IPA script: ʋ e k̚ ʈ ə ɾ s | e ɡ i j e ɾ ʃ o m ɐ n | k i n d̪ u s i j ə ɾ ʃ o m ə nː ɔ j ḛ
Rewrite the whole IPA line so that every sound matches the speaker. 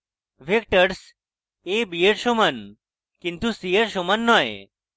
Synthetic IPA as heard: ʋ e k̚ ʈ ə ɾ s | e b i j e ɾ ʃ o m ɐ n | k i n t̪ u s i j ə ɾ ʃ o m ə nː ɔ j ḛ